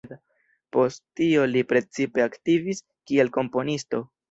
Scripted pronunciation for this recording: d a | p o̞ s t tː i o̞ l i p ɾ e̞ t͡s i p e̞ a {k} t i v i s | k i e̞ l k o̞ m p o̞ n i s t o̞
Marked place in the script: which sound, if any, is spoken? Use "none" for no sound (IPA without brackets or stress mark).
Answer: k